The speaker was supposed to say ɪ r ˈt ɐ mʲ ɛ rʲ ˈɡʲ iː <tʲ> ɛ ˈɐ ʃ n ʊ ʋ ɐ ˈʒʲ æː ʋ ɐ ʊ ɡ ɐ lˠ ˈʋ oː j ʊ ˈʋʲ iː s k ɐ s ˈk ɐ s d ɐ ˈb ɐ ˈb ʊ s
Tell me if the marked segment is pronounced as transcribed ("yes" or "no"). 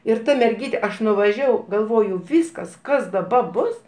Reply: yes